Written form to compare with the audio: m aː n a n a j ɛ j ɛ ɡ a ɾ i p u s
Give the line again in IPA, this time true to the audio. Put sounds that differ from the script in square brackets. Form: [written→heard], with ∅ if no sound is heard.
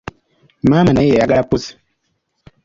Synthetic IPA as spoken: m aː [n→m] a n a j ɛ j [ɛ→a] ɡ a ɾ [i→a] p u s